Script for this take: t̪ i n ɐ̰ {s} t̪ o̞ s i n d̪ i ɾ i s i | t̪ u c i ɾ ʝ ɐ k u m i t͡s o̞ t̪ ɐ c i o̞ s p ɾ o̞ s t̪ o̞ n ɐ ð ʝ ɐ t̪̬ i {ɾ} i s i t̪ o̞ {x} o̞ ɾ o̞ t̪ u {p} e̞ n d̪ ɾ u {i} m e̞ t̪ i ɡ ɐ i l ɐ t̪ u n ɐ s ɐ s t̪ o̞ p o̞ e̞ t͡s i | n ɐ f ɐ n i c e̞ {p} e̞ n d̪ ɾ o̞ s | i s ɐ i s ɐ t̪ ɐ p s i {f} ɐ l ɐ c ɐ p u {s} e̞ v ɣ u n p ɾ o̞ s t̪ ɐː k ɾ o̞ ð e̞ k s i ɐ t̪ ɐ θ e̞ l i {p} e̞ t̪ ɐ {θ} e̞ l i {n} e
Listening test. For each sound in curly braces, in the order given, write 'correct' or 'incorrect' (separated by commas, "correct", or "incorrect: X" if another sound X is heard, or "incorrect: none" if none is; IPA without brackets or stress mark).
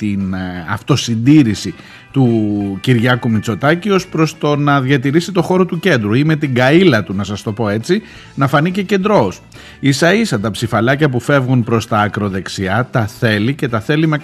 incorrect: f, correct, correct, incorrect: c, correct, incorrect: c, correct, incorrect: f, incorrect: c, correct, incorrect: m